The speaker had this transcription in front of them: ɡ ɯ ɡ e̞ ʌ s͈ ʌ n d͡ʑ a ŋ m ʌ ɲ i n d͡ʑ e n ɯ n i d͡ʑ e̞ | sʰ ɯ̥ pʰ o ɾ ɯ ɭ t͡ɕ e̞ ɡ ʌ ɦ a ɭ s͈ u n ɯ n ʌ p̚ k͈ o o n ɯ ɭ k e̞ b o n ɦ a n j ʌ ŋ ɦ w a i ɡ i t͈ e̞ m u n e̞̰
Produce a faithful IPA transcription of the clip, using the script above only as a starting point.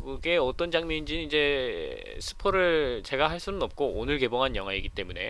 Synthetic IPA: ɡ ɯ ɡ e̞ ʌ t͈ ʌ n d͡ʑ a ŋ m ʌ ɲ i n d͡ʑ i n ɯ n i d͡ʑ e̞ | sʰ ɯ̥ pʰ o ɾ ɯ ɭ t͡ɕ e̞ ɡ a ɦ a ɭ s͈ u n ɯ n ʌ p̚ k͈ o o n ɯ ɭ k e̞ b o ŋ ɦ a n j ʌ ŋ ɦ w a i ɡ i t͈ e̞ m u n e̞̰

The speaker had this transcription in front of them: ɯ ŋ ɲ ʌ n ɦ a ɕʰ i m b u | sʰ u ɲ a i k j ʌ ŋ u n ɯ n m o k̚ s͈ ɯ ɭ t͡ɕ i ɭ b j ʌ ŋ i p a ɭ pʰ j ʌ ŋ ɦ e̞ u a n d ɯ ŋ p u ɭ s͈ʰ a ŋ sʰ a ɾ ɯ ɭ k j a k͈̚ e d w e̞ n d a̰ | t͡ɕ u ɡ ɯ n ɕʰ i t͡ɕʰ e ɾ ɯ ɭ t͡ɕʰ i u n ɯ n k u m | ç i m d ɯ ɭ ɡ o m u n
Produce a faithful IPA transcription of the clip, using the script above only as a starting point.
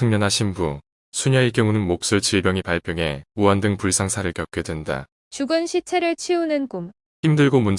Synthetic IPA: ɯ ŋ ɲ ʌ n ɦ a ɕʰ i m b u | sʰ u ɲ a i k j ʌ ŋ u n ɯ n m o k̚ s͈ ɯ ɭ t͡ɕ i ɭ b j ʌ ŋ i p a ɭ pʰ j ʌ ŋ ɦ e̞ u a n d ɯ ŋ p u ɭ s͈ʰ a ŋ sʰ a ɾ ɯ ɭ k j ʌ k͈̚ e d w e̞ n d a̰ | t͡ɕ u ɡ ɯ n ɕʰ i t͡ɕʰ e ɾ ɯ ɭ t͡ɕʰ i u n ɯ n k u m | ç i m d ɯ ɭ ɡ o m u n

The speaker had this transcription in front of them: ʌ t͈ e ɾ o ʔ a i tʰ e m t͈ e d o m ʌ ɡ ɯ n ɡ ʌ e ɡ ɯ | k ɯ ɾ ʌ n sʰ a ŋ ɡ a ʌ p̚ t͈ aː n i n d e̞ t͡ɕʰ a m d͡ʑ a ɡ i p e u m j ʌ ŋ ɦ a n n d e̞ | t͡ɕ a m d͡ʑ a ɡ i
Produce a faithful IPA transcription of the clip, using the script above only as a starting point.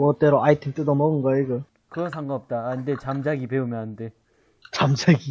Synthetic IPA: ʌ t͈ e ɾ o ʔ a i tʰ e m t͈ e d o m ʌ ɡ ɯ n ɡ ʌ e ɡ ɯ | k ɯ ɾ ʌ n sʰ a ŋ ɡ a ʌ p̚ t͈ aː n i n d e̞ t͡ɕ a m d͡ʑ a ɡ i p e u m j ʌ n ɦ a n n d e̞ | t͡ɕ a m d͡ʑ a ɡ i

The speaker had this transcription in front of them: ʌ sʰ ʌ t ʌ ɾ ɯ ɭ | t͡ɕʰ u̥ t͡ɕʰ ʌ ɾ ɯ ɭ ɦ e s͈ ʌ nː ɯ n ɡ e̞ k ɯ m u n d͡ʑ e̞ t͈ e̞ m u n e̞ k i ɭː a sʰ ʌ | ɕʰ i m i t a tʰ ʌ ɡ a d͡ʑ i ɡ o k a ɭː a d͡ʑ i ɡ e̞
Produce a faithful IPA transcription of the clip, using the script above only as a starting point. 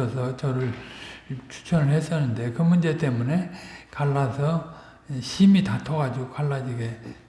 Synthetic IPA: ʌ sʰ ʌ t͡ɕ ʌ ɾ ɯ ɭ | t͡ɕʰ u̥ t͡ɕʰ ʌ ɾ ɯ ɭ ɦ e s͈ ʌ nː ɯ n d e̞ k ɯ m u n d͡ʑ e̞ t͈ e̞ m u n e̞ k a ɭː a sʰ ʌ | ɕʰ i m i t a tʰ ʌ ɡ a d͡ʑ i ɡ o k a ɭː a d͡ʑ i ɡ e̞

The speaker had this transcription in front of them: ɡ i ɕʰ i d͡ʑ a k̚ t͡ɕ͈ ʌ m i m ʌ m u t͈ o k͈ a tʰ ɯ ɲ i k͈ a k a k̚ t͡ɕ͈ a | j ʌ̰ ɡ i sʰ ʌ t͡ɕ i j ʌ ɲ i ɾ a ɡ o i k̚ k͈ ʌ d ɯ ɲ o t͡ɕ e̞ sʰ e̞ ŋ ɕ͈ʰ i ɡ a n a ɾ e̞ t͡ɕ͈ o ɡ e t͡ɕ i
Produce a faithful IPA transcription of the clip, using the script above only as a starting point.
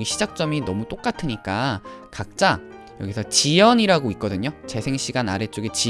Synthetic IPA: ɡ i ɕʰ i d͡ʑ a k̚ t͡ɕ͈ ʌ m i n ʌ m u t͈ o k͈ a tʰ ɯ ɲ i k͈ a k a k̚ t͡ɕ͈ a | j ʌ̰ ɡ i sʰ ʌ t͡ɕ i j ʌ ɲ i ɾ a ɡ o i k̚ k͈ ʌ d ɯ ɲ o t͡ɕ e̞ sʰ e̞ ŋ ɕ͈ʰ i ɡ a n a ɾ e̞ t͡ɕ͈ o ɡ e t͡ɕ i

